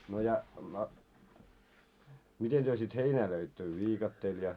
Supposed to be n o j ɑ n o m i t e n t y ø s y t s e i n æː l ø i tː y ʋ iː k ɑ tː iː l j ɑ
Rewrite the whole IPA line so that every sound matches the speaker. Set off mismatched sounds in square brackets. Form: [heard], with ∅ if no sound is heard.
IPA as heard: n o j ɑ n o m i t e n t y ø s [i] t [h] e i n æː l ø i tː [ø] ʋ iː k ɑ tː [eː] l j ɑ